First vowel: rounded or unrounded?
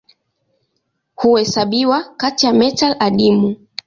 rounded